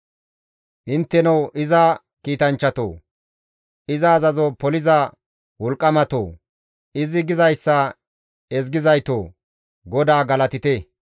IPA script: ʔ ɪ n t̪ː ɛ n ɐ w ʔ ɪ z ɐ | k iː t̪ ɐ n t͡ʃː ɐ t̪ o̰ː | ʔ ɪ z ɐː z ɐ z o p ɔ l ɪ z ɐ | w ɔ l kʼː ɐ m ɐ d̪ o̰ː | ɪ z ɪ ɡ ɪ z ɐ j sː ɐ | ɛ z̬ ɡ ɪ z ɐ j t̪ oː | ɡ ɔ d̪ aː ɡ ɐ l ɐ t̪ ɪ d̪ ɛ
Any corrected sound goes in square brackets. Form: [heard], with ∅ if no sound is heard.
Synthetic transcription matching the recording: ʔ ɪ n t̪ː ɛ n ɐ w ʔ ɪ z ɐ | k iː t̪ ɐ n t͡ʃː ɐ t̪ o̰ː | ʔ ɪ z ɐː z ɐ z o p ɔ l ɪ z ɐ | w ɔ l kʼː ɐ m ɐ [t̪] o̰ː | ɪ z ɪ ɡ ɪ z ɐ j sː ɐ | ɛ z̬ ɡ ɪ z ɐ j t̪ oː | ɡ ɔ d̪ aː ɡ ɐ l ɐ t̪ ɪ [t̪] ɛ